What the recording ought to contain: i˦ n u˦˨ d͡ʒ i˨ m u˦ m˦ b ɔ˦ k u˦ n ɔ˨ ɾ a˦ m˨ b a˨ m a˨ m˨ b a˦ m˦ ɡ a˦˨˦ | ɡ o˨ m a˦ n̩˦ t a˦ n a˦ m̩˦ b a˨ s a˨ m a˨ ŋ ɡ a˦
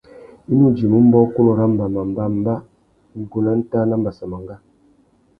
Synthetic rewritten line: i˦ n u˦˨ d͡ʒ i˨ m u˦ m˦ b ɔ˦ k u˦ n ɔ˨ ɾ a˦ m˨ b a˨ m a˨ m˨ b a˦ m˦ b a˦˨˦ | ɡ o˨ n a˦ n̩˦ t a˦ n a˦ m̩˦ b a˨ s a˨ m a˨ ŋ ɡ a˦